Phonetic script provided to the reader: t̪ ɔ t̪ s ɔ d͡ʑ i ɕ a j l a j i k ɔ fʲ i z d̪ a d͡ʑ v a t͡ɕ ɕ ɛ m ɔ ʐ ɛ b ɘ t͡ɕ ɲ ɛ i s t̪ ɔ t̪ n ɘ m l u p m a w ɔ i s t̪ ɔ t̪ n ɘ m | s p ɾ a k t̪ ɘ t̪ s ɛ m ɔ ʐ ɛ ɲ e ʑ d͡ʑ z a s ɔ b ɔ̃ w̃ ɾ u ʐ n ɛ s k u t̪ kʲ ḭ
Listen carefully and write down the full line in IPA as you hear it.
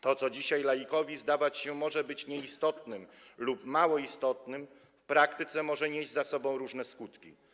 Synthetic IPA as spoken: t̪ ɔ t̪ s ɔ d͡ʑ i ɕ a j l a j i k ɔ vʲ i z d̪ a v a t͡ɕ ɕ ɛ m ɔ ʐ ɛ b ɘ t͡ɕ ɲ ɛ i s t̪ ɔ t̪ n ɘ m l u p m a w ɔ i s t̪ ɔ t̪ n ɘ m | f p ɾ a k t̪ ɘ t̪ s ɛ m ɔ ʐ ɛ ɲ e ʑ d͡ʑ z a s ɔ b ɔ̃ w̃ ɾ u ʐ n ɛ s k u t̪ kʲ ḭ

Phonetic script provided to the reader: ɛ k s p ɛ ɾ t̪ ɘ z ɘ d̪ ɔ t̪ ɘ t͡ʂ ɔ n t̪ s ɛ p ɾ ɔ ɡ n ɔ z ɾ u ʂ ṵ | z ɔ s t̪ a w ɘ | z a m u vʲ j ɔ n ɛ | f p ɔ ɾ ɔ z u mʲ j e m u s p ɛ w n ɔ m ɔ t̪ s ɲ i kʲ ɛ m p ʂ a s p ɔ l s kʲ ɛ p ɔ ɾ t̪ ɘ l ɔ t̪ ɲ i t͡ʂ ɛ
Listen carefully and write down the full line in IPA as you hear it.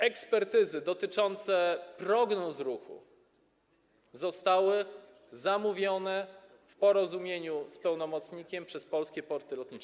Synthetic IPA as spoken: ɛ k s p ɛ ɾ t̪ ɘ z ɘ d̪ ɔ t̪ ɘ t͡ʂ ɔ n t̪ s ɛ p ɾ ɔ ɡ n ɔ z ɾ u x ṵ | z ɔ s t̪ a w ɘ | z a m u vʲ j ɔ n ɛ | f p ɔ ɾ ɔ z u mʲ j e ɲ u s p ɛ w n ɔ m ɔ t̪ s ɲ i kʲ ɛ m p ʂ ɛ s p ɔ l s kʲ ɛ p ɔ ɾ t̪ ɘ l ɔ t̪ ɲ i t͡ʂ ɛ

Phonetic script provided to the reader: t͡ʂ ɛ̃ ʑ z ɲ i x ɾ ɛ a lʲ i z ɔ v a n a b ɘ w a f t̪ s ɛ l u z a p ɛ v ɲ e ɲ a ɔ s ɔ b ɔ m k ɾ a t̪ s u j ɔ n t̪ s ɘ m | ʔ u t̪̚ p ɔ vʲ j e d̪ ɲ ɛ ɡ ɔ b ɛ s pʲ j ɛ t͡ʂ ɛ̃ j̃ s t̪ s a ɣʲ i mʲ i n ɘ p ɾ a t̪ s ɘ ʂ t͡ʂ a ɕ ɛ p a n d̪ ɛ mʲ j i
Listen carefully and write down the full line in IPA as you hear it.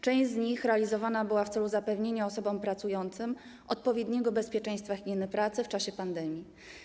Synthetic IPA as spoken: t͡ʂ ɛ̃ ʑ z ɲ i x ɾ ɛ a lʲ i z ɔ v a n a b ɘ w a f t̪ s ɛ l u z a p ɛ v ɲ e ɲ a ɔ s ɔ b ɔ m p ɾ a t̪ s u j ɔ n t̪ s ɘ m | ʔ ɔ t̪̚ p ɔ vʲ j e d̪ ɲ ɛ ɡ ɔ b ɛ s pʲ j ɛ t͡ʂ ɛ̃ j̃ s t̪ f a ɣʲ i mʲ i n ɘ p ɾ a t̪ s ɘ f t͡ʂ a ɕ ɛ p a n d̪ ɛ mʲ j i

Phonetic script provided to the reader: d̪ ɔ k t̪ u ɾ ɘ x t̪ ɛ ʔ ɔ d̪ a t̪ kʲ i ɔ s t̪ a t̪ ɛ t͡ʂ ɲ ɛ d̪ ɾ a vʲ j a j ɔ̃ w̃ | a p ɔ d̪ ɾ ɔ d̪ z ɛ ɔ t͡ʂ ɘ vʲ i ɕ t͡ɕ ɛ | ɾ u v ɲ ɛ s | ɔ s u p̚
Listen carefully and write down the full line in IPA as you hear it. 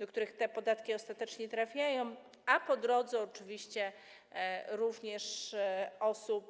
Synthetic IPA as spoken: d̪ ɔ k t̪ u ɾ ɘ x t̪ ɛ p ɔ d̪ a t̪ kʲ i ɔ s t̪ a t̪ ɛ t͡ʂ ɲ ɛ t̪ ɾ a fʲ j a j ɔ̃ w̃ | a p ɔ d̪ ɾ ɔ d̪ z ɛ ɔ t͡ʂ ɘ vʲ i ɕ t͡ɕ ɛ | ɾ u v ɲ ɛ ʂ | ɔ s u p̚

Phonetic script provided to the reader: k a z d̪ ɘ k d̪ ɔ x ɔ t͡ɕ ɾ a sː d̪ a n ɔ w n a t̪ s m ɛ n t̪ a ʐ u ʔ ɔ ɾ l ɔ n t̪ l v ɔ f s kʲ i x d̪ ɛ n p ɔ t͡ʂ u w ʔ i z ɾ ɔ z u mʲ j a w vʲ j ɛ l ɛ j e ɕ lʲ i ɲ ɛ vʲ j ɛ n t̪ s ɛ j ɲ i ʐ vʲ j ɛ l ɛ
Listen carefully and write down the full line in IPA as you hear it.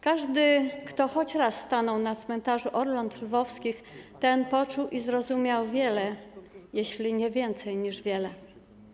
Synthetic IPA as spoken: k a ʐ d̪ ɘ k t̪ ɔ x ɔ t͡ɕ ɾ a sː t̪ a n ɔ w n a t̪ s m ɛ n t̪ a ʐ u ʔ ɔ ɾ l ɔ n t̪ l v ɔ f s kʲ i x t̪ ɛ n p ɔ t͡ʂ u w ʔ i z ɾ ɔ z u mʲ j a w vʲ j ɛ l ɛ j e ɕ lʲ i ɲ ɛ vʲ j ɛ n t̪ s ɛ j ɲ i ʐ vʲ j ɛ l ɛ

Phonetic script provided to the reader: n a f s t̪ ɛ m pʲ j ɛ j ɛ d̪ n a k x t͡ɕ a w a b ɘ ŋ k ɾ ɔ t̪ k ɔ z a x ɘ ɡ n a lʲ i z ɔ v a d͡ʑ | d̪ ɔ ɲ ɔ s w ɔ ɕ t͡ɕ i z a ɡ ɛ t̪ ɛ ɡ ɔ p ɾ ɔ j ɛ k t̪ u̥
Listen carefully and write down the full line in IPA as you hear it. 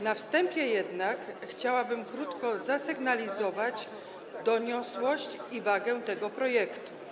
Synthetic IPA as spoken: n a f s t̪ ɛ m pʲ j ɛ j ɛ d̪ n a k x t͡ɕ a w a b ɘ m k ɾ u t̪ k ɔ z a s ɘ ɡ n a lʲ i z ɔ v a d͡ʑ | d̪ ɔ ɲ ɔ s w ɔ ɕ t͡ɕ i v a ɡ ɛ t̪ ɛ ɡ ɔ p ɾ ɔ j ɛ k t̪ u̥

